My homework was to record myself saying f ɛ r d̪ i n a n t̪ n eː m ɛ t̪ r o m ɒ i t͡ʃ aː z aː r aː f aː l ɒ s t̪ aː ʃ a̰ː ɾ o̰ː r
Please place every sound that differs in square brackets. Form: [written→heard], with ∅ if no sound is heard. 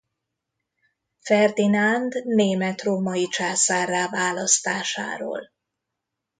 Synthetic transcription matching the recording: f ɛ r d̪ i n a n [t̪→d̪] n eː m ɛ t̪ r o m ɒ i t͡ʃ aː [z→s] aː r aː [f→v] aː l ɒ s t̪ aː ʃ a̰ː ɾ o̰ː [r→l]